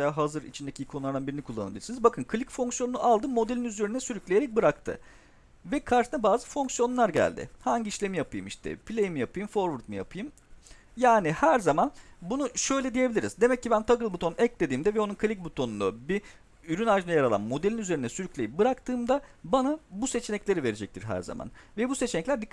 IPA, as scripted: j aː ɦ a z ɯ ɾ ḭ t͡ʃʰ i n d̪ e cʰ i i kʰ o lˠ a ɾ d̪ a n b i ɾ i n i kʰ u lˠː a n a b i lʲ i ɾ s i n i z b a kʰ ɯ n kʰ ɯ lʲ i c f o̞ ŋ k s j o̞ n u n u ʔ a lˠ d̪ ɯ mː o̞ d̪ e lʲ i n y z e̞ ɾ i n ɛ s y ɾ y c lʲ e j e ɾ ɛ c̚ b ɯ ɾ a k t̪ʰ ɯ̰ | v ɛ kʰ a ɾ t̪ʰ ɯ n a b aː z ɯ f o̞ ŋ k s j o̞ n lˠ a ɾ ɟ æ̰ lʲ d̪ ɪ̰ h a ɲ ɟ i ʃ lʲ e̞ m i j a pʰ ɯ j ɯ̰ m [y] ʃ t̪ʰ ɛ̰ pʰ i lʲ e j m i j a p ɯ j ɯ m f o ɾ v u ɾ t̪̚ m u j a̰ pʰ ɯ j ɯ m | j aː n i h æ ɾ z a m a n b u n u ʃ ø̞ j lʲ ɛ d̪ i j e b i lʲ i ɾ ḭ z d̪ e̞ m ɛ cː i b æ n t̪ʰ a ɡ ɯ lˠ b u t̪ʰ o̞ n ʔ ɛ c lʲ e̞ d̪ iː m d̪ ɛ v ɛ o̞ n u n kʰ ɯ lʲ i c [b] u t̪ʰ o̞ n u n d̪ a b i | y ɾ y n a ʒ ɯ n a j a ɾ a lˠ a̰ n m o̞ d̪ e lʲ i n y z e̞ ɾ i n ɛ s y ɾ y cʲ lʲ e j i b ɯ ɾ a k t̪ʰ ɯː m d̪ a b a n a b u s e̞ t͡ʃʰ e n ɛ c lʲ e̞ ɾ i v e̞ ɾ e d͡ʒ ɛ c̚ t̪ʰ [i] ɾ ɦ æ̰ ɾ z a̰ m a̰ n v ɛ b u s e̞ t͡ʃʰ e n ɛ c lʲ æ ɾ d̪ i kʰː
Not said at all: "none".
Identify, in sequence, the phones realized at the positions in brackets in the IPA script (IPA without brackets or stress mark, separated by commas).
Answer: i, b, i